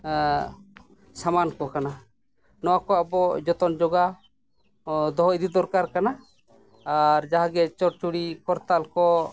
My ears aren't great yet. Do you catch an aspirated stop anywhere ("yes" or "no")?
no